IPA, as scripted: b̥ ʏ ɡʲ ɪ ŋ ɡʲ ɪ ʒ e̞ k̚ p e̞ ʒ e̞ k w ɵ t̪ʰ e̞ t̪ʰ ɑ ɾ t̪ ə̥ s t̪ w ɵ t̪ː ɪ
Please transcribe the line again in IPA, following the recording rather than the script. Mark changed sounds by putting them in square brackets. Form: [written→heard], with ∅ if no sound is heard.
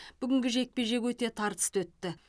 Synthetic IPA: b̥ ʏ ɡʲ ɪ ŋ ɡʲ ɪ ʒ e̞ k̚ p e̞ ʒ e̞ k w ɵ [t̪ʰ→t̪] e̞ t̪ʰ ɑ ɾ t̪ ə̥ s t̪ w ɵ t̪ː ɪ